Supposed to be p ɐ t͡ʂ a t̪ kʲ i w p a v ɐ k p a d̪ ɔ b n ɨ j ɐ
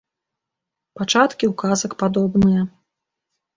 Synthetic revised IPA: p a t͡ʂ a t̪ kʲ i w k a z ɐ k p a d̪ ɔ b n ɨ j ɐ